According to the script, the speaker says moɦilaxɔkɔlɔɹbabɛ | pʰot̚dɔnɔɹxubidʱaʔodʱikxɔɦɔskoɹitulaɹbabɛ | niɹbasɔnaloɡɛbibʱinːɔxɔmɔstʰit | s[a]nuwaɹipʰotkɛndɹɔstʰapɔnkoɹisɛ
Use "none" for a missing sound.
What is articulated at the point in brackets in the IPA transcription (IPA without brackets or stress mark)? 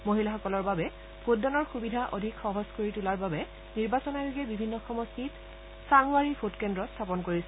a